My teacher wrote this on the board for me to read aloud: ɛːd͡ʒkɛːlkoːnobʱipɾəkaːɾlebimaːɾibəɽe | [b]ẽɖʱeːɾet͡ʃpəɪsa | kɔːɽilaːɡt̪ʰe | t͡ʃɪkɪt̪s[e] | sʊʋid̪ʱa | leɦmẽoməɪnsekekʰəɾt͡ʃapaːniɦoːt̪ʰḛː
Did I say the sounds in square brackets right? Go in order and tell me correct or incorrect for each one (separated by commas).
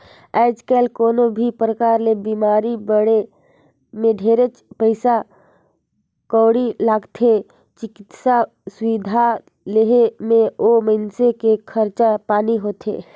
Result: incorrect, incorrect